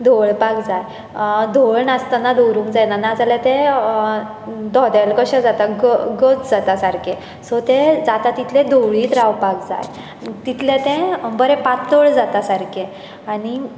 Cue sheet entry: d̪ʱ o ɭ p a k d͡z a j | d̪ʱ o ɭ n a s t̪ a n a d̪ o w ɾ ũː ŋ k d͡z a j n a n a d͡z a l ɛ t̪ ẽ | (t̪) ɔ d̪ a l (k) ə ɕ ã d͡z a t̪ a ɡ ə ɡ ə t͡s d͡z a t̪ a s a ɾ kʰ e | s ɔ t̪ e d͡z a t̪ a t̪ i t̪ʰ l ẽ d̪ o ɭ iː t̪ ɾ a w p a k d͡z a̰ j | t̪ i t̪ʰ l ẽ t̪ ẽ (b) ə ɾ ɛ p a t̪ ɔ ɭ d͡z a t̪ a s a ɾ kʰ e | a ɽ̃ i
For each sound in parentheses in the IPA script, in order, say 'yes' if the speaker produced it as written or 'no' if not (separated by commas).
no, yes, yes